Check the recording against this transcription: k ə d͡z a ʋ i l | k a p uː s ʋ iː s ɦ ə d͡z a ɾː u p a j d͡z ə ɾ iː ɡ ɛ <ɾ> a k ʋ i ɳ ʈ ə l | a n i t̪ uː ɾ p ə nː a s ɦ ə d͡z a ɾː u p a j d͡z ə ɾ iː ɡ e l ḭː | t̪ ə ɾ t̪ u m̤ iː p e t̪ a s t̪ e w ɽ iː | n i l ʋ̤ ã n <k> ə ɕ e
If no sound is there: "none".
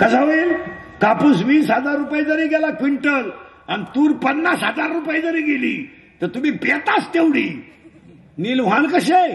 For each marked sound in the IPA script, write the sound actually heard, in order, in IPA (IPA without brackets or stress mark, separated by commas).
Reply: l, k